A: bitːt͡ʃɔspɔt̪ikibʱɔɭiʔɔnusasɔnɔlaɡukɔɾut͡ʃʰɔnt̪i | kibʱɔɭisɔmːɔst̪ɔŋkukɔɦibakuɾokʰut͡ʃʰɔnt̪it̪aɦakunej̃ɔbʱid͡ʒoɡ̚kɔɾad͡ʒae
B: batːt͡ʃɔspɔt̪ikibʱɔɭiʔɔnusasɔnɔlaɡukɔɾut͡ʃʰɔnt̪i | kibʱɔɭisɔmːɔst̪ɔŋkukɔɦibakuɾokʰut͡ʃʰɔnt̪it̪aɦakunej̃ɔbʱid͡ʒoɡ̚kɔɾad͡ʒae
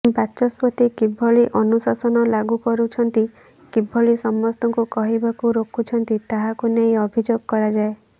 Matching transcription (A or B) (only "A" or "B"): B